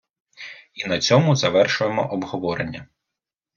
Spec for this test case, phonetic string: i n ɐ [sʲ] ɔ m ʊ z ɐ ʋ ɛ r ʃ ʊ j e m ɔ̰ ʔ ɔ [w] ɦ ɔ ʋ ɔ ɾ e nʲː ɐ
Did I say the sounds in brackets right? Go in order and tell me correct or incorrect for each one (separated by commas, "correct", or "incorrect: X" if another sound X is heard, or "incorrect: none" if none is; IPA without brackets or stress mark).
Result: incorrect: t͡sʲ, incorrect: b